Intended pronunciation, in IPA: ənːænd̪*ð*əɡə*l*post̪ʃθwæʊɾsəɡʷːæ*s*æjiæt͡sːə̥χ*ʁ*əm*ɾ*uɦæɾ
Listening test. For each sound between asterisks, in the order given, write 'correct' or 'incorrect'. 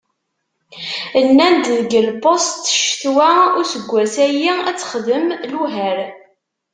correct, correct, correct, incorrect, incorrect

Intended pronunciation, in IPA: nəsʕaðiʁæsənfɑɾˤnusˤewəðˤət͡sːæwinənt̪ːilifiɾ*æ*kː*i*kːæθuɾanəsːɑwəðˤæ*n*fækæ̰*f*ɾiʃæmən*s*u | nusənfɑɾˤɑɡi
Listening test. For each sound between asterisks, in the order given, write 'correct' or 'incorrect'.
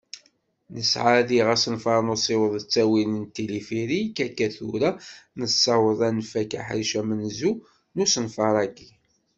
incorrect, incorrect, correct, incorrect, incorrect

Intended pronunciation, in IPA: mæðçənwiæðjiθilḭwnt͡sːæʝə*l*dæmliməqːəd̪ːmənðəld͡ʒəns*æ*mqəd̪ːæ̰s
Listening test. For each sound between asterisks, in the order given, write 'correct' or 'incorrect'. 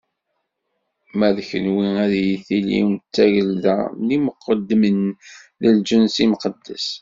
correct, incorrect

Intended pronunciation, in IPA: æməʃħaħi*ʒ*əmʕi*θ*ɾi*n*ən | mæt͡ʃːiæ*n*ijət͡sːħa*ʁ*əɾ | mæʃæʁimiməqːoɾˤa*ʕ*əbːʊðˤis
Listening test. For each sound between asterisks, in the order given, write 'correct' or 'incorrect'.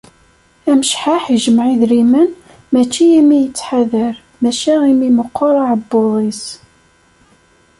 correct, incorrect, incorrect, incorrect, incorrect, correct

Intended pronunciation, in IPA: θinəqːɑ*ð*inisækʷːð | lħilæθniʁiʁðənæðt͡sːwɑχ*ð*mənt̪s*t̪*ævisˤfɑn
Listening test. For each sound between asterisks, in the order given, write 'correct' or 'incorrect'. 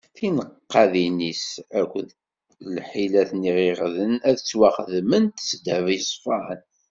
correct, correct, incorrect

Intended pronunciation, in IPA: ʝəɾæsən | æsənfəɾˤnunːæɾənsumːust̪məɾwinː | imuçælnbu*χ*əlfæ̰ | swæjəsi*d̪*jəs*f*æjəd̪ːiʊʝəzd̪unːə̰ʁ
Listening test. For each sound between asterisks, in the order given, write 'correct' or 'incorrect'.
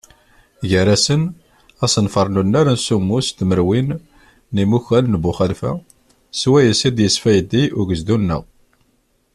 correct, correct, correct

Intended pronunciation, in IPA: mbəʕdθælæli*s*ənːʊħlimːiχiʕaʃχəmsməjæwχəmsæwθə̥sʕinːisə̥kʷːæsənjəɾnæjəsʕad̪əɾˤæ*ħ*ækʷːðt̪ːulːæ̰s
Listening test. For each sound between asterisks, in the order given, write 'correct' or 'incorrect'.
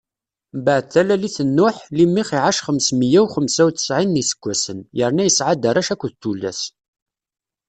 incorrect, incorrect

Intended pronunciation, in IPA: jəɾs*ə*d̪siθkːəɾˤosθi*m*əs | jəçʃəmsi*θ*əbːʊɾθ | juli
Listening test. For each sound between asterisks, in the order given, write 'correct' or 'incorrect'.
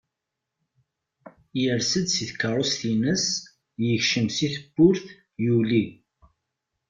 correct, incorrect, correct

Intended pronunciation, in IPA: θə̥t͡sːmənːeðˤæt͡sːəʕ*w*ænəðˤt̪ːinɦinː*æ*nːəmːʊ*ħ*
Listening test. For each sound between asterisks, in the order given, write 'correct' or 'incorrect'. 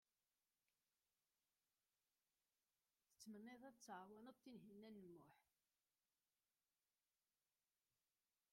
correct, correct, correct

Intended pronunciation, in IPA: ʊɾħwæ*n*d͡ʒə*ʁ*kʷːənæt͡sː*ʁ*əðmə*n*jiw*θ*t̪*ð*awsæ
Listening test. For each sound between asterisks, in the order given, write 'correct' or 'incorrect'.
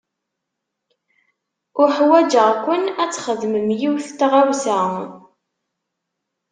incorrect, correct, incorrect, incorrect, correct, incorrect

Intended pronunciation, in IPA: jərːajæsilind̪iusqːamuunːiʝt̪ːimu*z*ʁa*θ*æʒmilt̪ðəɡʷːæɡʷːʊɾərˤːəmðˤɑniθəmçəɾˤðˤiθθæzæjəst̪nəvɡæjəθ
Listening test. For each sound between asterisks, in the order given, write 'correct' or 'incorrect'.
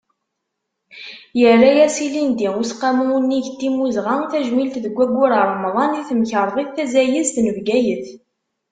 correct, correct

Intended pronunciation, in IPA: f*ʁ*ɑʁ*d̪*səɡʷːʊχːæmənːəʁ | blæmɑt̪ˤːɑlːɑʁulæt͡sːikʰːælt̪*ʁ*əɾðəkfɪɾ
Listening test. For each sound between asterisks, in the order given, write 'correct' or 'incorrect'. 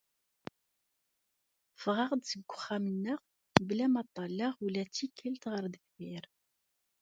correct, correct, correct

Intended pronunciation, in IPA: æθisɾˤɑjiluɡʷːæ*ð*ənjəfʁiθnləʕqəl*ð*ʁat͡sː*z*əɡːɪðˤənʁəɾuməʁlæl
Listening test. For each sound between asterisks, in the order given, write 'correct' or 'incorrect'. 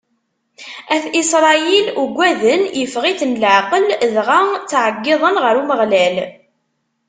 correct, correct, incorrect

